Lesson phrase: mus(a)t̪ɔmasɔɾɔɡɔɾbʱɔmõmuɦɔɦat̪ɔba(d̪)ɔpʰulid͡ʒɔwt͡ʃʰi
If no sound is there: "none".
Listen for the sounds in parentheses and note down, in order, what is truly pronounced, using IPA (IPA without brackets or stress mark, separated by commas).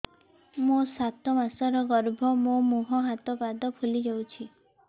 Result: a, d̪